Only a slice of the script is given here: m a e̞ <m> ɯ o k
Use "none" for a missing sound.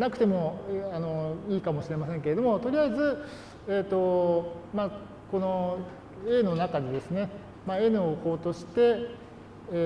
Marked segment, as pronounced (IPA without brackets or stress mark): n